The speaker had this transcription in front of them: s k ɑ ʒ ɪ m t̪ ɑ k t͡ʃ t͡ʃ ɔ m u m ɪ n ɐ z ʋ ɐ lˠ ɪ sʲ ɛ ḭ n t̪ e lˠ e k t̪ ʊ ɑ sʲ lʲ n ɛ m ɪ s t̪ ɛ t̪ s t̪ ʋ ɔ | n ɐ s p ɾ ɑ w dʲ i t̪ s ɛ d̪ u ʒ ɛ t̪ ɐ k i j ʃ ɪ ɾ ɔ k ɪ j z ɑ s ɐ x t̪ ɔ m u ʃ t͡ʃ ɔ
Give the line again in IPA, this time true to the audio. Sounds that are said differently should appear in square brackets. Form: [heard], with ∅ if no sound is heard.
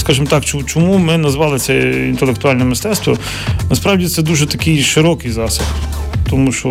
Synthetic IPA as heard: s k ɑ ʒ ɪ m t̪ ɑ k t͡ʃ t͡ʃ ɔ m u m ɪ n ɐ z ʋ [ɑ] lˠ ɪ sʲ ɛ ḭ n t̪ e lˠ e k t̪ ʊ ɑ [∅] lʲ n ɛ m ɪ s t̪ ɛ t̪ s t̪ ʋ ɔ | n ɐ s p ɾ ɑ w dʲ i t̪ s ɛ d̪ u ʒ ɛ t̪ ɐ k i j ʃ ɪ ɾ ɔ k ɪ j z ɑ s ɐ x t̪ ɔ m u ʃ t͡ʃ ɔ